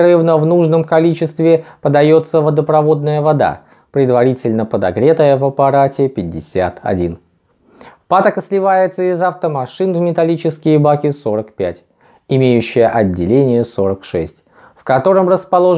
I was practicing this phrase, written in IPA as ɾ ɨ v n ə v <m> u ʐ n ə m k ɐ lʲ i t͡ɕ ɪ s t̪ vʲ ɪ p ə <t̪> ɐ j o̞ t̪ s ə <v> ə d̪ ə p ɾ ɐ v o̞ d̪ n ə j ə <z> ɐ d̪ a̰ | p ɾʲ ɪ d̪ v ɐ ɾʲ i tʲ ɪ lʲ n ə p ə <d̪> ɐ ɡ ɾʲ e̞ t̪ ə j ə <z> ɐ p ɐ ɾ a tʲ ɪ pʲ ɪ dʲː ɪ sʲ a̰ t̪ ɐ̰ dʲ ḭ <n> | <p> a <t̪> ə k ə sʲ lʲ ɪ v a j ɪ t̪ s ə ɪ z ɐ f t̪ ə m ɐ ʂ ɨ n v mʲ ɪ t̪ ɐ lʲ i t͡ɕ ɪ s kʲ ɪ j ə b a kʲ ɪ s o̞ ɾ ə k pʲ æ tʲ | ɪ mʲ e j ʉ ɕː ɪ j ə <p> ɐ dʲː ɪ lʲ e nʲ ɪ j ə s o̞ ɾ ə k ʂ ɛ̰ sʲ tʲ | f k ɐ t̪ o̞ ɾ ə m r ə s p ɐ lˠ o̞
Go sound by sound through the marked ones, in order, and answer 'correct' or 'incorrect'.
incorrect: n, incorrect: d̪, correct, incorrect: v, correct, incorrect: v, correct, correct, correct, incorrect: ʔ

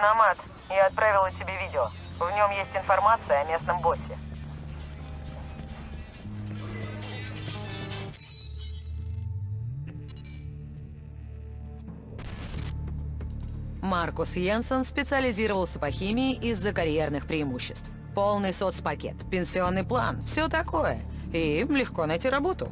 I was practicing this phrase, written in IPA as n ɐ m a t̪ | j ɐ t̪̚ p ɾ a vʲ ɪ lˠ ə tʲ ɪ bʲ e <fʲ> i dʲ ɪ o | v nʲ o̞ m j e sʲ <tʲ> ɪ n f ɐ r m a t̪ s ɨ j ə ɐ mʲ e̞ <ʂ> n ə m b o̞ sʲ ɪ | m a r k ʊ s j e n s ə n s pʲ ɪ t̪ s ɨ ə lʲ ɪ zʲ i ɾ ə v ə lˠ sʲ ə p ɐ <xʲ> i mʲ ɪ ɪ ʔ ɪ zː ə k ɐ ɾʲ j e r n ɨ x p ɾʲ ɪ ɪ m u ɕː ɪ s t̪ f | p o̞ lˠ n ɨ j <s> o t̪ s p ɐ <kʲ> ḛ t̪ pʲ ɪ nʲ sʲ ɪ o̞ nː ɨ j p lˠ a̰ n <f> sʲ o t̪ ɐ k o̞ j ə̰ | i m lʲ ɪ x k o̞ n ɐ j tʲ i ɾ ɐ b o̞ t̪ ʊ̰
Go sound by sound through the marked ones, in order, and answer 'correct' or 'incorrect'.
incorrect: vʲ, correct, incorrect: s, correct, correct, correct, correct

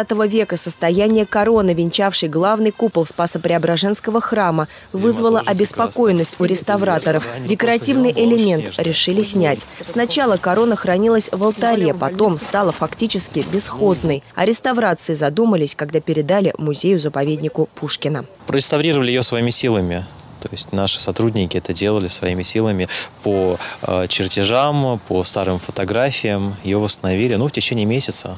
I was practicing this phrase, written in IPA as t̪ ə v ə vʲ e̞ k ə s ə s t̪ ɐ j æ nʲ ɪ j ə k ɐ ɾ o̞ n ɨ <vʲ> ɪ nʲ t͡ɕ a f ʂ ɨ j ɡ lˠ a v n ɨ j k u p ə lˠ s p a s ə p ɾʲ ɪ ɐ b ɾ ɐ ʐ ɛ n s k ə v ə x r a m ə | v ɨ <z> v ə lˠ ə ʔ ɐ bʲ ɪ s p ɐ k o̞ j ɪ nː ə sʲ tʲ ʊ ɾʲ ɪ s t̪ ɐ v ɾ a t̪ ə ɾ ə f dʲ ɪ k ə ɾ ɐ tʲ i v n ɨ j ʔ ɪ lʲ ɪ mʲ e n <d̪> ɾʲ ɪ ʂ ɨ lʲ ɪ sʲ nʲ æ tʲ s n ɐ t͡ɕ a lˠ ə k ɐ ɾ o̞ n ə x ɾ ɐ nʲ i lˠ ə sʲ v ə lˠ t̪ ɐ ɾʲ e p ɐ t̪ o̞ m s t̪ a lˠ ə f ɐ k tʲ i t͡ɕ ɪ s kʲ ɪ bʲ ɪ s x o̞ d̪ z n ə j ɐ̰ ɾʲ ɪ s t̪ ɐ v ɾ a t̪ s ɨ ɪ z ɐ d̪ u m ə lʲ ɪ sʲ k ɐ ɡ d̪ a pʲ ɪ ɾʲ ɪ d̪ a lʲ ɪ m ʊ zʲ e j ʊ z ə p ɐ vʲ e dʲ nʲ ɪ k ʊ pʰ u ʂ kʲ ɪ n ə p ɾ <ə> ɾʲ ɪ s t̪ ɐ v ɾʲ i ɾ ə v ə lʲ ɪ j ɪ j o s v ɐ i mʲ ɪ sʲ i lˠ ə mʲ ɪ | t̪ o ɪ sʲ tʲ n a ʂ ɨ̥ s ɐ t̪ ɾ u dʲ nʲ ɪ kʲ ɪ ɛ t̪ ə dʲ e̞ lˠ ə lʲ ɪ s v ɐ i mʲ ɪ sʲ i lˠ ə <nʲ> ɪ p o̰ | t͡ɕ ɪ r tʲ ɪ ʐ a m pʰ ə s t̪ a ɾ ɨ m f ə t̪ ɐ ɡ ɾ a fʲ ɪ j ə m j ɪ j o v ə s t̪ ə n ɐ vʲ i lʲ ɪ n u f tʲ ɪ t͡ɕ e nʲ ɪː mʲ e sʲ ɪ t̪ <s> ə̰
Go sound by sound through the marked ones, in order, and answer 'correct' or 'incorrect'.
correct, correct, incorrect: t̪, correct, incorrect: mʲ, correct

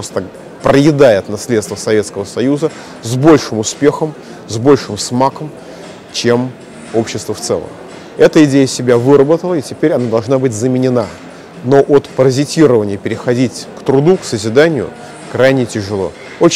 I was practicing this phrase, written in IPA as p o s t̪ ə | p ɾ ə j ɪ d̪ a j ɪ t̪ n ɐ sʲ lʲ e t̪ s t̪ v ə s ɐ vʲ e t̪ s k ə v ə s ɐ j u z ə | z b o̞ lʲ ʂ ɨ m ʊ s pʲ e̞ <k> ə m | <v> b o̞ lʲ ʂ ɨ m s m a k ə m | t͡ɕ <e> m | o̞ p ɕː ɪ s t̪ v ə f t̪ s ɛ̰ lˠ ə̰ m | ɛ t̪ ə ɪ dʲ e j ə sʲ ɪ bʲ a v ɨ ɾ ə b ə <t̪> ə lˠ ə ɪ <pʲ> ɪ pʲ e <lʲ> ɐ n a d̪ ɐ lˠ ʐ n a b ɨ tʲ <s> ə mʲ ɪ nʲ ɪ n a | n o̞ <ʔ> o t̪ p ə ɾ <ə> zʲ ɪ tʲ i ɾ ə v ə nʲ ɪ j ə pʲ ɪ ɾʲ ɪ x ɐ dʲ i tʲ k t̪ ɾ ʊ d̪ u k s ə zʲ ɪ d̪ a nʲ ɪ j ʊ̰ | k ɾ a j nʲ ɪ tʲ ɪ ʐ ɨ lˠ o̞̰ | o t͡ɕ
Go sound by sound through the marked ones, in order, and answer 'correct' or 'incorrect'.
incorrect: x, incorrect: z, correct, correct, incorrect: tʲ, incorrect: ɾʲ, incorrect: z, correct, correct

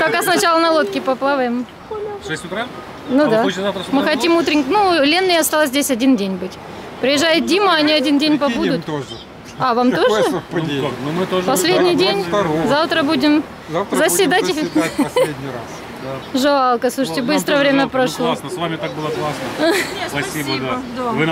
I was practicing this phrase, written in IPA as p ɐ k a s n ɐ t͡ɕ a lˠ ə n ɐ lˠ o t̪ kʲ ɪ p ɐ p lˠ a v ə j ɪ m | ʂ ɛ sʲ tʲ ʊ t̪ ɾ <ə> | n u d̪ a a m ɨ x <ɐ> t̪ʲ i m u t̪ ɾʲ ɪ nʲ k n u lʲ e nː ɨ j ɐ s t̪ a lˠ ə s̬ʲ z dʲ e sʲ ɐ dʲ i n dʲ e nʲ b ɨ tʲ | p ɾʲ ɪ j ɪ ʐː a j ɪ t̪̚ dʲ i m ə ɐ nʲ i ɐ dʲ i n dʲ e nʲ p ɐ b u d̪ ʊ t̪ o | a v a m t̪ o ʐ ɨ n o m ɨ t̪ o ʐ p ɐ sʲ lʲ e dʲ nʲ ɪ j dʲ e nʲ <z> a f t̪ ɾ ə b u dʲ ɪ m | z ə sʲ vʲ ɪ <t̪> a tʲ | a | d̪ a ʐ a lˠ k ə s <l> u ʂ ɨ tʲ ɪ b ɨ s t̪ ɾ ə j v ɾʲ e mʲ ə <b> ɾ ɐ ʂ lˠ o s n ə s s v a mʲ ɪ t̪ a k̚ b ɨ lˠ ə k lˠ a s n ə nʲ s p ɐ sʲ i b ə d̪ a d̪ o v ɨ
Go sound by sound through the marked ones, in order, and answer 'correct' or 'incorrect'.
incorrect: a, correct, correct, incorrect: d̪, correct, incorrect: p

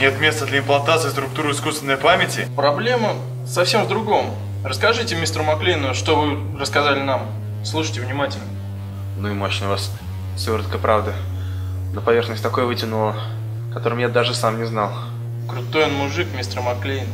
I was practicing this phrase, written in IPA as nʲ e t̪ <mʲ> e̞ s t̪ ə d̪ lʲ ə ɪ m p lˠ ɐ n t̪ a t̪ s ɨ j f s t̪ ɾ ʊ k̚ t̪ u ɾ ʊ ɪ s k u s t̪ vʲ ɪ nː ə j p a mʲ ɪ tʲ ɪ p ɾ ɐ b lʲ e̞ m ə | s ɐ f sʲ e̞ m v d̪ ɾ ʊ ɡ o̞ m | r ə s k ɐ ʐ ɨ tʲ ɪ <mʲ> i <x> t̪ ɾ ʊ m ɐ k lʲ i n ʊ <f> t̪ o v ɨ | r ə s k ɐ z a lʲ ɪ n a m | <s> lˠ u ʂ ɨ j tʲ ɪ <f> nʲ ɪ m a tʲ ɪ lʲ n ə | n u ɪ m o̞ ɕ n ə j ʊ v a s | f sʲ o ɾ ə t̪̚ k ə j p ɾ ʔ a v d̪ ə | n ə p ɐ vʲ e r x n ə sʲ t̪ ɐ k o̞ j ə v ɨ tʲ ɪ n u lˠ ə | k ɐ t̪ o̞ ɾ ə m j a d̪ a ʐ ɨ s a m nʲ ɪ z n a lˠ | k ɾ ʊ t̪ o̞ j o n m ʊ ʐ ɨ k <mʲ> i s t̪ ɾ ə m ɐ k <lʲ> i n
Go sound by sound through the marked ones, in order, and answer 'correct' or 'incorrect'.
correct, correct, incorrect: s, incorrect: ʂ, correct, incorrect: v, correct, correct

